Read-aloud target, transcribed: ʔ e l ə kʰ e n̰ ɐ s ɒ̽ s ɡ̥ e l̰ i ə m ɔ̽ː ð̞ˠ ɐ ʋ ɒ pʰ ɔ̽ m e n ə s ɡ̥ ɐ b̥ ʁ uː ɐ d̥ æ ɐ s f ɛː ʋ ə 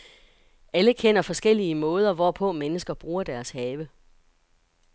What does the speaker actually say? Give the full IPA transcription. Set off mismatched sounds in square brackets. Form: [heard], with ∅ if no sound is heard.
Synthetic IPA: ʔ [æ] l ə kʰ e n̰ ɐ [f] ɒ̽ s ɡ̥ e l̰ i ə m ɔ̽ː ð̞ˠ ɐ ʋ ɒ pʰ ɔ̽ m e n ə s ɡ̥ ɐ b̥ ʁ uː ɐ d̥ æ ɐ s [h] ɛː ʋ ə